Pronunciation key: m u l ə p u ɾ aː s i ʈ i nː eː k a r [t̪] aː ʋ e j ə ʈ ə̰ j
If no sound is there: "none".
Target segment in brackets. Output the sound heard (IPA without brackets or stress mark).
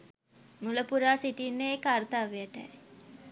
t̪